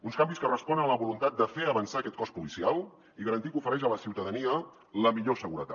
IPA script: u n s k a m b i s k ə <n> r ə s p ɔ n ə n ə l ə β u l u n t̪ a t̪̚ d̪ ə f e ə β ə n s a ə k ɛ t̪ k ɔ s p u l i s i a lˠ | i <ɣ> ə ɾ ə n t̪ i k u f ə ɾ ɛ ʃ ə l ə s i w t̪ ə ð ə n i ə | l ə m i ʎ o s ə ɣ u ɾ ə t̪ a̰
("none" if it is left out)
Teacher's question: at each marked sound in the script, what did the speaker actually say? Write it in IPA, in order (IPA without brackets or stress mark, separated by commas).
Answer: none, ɣ